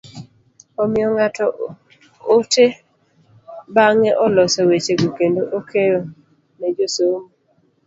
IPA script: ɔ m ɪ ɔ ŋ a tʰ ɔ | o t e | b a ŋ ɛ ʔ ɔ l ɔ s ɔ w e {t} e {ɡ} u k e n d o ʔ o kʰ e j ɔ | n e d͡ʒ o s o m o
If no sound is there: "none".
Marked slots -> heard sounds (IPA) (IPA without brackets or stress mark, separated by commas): t͡ʃ, ɡ